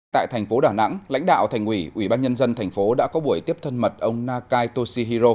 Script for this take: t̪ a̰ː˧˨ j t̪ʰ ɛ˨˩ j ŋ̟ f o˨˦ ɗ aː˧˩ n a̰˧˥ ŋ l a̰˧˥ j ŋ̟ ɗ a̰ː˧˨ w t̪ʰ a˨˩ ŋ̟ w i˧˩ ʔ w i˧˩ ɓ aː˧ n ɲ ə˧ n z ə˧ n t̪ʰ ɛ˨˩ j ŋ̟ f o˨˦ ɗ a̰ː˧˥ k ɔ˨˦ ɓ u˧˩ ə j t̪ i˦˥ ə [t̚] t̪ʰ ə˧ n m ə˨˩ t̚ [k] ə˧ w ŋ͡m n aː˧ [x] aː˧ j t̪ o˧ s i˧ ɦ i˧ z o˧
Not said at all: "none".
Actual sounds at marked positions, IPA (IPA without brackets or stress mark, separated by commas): p̚, ʔ, k